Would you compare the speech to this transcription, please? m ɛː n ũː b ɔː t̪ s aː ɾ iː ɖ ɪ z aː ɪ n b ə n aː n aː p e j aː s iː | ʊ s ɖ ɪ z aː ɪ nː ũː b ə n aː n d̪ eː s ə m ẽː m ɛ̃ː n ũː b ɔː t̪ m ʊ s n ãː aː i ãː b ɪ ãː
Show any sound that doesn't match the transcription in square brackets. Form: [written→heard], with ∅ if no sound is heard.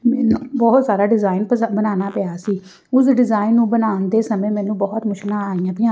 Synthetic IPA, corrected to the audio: m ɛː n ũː b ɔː t̪ s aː ɾ [iː→aː] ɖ ɪ z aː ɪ n b ə n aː n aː p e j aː s iː | ʊ s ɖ ɪ z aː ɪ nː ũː b ə n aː n d̪ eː s ə m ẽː m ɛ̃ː n ũː b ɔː t̪ m ʊ [s→ʃ] n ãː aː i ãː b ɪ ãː